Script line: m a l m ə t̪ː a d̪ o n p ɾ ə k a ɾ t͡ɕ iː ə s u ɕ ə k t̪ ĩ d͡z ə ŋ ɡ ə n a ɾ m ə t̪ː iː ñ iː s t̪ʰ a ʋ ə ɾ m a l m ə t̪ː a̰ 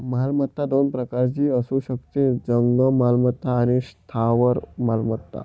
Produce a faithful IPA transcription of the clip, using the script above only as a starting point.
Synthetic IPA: m a l m ə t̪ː a d̪ o n p ɾ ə k a ɾ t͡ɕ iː ə s u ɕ ə k t̪ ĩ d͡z ə ŋ ɡ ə m a l m ə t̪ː aː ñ i s t̪ʰ a ʋ ə ɾ m a l m ə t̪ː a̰